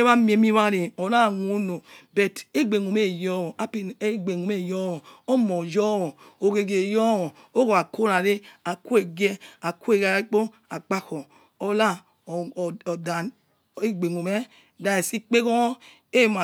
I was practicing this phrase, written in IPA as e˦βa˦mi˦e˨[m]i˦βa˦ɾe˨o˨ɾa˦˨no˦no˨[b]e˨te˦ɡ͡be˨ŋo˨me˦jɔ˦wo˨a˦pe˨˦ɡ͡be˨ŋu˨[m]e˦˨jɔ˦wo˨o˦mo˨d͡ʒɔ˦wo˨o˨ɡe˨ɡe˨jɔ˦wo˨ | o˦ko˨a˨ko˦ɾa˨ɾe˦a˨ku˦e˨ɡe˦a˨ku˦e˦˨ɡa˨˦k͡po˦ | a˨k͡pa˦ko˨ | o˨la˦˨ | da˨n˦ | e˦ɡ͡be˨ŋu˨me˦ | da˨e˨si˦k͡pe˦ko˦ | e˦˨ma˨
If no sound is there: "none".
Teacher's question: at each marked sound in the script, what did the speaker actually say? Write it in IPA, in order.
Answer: m, b, m

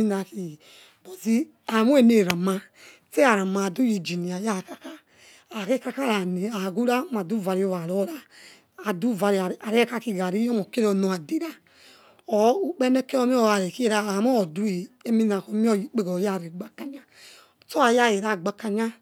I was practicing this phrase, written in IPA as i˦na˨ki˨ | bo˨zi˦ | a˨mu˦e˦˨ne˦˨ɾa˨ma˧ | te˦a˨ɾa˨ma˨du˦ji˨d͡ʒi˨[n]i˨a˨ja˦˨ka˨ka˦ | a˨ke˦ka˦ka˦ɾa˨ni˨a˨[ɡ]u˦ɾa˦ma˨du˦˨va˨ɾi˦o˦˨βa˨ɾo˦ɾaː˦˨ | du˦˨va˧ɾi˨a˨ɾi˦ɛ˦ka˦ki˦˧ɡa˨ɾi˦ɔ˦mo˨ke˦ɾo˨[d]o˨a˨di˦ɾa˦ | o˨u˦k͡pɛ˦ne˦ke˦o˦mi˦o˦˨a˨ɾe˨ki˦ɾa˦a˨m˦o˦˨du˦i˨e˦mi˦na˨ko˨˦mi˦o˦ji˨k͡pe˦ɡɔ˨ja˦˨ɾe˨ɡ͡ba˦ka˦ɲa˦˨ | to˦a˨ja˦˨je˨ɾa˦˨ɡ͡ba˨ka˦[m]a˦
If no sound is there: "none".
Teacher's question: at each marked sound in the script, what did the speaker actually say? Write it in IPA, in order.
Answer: n, ɡ, n, ɲ

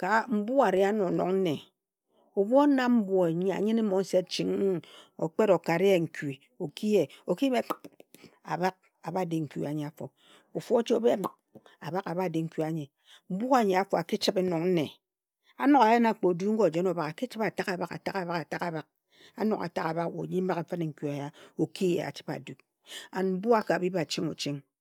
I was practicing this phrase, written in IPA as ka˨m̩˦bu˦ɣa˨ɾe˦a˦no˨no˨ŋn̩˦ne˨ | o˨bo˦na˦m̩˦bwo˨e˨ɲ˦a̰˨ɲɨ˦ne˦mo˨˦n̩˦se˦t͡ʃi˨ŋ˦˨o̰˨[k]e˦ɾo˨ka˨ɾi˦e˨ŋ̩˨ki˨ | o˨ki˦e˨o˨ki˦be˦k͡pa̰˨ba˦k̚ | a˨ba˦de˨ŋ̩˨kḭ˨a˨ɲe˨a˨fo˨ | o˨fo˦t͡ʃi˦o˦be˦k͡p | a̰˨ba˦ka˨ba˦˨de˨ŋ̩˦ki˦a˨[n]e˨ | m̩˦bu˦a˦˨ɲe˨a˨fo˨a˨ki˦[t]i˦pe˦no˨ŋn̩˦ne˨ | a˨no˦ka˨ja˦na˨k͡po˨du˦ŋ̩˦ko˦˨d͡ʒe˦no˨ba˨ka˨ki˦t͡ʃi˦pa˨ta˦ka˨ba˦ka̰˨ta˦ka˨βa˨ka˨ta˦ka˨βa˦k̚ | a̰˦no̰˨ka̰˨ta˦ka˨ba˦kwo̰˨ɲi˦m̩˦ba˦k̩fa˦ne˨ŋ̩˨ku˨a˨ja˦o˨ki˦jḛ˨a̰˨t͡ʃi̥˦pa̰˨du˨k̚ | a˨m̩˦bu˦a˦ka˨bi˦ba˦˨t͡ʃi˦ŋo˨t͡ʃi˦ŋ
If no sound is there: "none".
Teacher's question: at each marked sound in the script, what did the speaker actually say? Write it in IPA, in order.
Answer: k͡p, ɲ, t͡ʃ

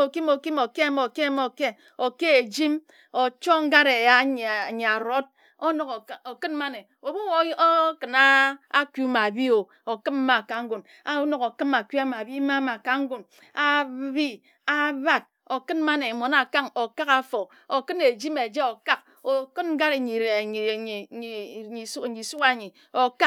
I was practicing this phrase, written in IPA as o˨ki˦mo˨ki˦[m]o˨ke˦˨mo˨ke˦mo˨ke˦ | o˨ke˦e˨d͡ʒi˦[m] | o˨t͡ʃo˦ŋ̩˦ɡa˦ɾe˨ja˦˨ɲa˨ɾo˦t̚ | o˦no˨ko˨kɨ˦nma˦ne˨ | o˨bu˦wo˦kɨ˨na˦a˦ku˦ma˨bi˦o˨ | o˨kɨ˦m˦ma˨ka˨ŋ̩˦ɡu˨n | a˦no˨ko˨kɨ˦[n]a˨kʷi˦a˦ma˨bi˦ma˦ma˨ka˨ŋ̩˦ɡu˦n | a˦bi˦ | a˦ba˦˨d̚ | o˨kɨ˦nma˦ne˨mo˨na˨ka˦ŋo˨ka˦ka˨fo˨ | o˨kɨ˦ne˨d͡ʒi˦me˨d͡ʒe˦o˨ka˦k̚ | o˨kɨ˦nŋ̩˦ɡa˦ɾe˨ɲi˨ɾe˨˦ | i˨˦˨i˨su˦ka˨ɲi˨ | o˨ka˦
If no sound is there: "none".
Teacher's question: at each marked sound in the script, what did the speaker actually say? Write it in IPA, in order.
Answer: m, m, m

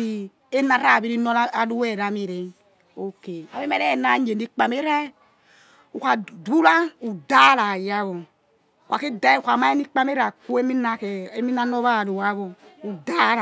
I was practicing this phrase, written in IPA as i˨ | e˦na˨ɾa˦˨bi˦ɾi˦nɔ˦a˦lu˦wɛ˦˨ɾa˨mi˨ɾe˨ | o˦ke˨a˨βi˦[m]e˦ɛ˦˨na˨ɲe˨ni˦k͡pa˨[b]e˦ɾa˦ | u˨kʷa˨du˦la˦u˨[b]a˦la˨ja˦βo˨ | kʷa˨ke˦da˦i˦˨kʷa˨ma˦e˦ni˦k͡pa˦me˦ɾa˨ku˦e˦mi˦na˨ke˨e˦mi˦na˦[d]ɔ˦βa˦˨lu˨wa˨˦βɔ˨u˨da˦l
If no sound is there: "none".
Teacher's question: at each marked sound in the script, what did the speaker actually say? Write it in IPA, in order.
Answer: m, m, d, n

